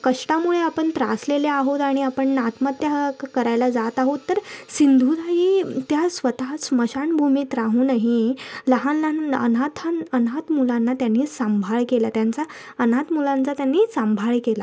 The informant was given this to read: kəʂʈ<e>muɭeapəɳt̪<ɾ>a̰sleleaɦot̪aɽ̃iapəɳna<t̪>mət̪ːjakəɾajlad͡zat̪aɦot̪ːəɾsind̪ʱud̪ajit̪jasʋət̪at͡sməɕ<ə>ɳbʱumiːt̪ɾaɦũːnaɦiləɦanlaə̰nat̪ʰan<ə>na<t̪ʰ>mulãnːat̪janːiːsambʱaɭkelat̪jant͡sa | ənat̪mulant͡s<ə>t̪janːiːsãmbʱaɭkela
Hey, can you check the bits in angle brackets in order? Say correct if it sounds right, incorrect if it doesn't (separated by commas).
incorrect, correct, correct, incorrect, correct, incorrect, incorrect